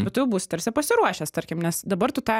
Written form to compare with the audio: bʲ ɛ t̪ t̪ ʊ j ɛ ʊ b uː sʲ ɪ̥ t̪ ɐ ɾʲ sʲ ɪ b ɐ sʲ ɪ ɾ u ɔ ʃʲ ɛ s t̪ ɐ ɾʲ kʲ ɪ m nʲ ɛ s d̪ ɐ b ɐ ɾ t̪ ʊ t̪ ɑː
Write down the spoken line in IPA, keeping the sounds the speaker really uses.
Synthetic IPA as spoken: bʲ ɛ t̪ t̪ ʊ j ɛ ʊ b uː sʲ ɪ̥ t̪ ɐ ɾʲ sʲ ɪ p ɐ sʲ ɪ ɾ u ɔ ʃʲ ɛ s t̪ ɐ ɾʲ kʲ ɪ m nʲ ɛ s d̪ ɐ b ɐ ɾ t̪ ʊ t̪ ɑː